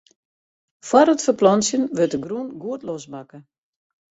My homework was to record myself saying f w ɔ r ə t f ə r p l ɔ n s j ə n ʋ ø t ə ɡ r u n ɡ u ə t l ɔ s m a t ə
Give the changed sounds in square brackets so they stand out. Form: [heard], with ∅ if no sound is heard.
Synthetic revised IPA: f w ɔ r ə t f ə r p l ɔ n s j ə n ʋ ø t ə ɡ r u n ɡ u ə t l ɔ s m a [k] ə